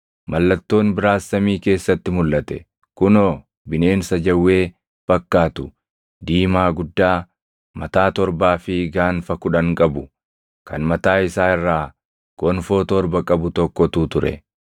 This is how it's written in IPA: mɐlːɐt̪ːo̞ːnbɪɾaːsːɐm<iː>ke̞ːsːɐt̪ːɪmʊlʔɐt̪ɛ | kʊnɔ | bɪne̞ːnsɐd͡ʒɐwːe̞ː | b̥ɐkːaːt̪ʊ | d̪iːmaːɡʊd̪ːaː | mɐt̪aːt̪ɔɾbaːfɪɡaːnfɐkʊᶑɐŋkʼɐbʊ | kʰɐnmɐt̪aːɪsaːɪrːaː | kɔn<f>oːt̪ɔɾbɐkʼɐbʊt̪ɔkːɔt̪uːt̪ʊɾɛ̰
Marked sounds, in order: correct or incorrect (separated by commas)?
correct, correct